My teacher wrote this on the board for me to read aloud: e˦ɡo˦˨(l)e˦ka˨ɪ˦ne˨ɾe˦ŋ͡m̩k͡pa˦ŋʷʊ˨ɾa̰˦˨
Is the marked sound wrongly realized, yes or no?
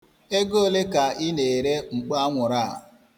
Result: no